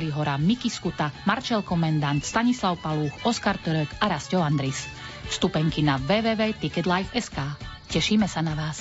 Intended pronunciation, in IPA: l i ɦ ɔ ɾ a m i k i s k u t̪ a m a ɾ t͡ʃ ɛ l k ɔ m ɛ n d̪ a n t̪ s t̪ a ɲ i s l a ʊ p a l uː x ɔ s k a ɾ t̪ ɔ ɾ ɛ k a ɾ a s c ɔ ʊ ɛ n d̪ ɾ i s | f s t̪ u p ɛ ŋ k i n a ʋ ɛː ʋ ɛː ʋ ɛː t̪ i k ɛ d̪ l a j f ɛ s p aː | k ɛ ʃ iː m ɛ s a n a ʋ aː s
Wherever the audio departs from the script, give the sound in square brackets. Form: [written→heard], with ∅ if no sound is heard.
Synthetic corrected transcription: l i ɦ ɔ ɾ a m i k i s k u t̪ a m a ɾ t͡ʃ ɛ l k ɔ m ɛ n d̪ a n t̪ s t̪ a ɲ i s l a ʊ p a l uː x ɔ s k a ɾ t̪ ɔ ɾ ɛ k a ɾ a s c ɔ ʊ [ɛ→a] n d̪ ɾ i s | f s t̪ u p ɛ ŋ k i n a ʋ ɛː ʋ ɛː ʋ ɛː t̪ i k ɛ d̪ l a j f ɛ s [p→k] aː | [k→c] ɛ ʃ iː m ɛ s a n a ʋ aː s